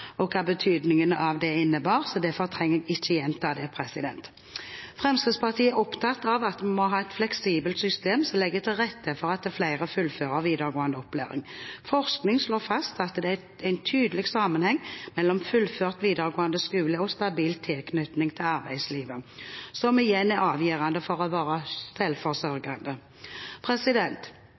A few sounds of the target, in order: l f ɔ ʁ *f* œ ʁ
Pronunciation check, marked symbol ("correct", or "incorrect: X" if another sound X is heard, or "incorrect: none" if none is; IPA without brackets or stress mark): incorrect: s